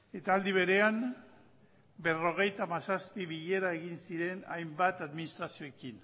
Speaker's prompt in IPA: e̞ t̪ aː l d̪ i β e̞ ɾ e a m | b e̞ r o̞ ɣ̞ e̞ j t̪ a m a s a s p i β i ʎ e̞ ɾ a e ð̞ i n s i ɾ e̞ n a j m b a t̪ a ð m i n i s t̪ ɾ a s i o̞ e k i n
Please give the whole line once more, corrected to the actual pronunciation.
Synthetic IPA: e̞ t̪ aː l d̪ i β e̞ ɾ e a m | b e̞ r o̞ ɣ̞ e̞ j t̪ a m a s a s p i β i ʎ e̞ ɾ a e ɣ̞ i n s i ɾ e̞ n a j m b a t̪ a ð m i n i s t̪ ɾ a s i o̞ e k i n